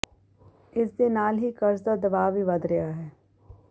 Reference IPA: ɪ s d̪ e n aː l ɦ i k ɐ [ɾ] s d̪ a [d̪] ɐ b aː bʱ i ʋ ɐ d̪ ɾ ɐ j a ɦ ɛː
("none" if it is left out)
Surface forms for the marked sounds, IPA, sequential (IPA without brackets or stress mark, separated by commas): ɾ, d̪